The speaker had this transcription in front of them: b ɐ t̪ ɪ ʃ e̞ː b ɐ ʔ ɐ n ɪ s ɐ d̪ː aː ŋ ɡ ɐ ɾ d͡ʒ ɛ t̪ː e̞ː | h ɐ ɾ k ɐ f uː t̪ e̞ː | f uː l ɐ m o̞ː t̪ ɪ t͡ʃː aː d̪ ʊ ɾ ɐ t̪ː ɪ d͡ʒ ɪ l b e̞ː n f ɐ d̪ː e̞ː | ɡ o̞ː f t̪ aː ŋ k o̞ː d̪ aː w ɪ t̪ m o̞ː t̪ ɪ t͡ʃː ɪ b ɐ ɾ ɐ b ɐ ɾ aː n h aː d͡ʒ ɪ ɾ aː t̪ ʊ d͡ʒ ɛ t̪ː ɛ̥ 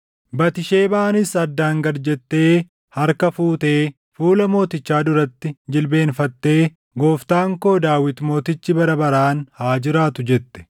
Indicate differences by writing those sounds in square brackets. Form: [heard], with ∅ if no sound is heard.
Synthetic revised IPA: b ɐ t̪ ɪ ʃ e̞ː b ɐ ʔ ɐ n ɪ s ɐ d̪ː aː ŋ ɡ ɐ ɾ d͡ʒ ɛ t̪ː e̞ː | h ɐ ɾ k ɐ f uː t̪ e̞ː | f uː l ɐ m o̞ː t̪ ɪ t͡ʃː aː d̪ ʊ ɾ ɐ t̪ː ɪ d͡ʒ ɪ l b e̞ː n f ɐ [t̪ː] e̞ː | ɡ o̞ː f t̪ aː ŋ k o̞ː d̪ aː w ɪ t̪ m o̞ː t̪ ɪ t͡ʃː ɪ b ɐ ɾ ɐ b ɐ ɾ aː n h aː d͡ʒ ɪ ɾ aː t̪ ʊ d͡ʒ ɛ t̪ː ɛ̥